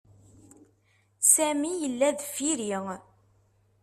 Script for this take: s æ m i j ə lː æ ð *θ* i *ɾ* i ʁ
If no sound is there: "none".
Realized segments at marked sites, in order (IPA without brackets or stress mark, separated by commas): f, ɾ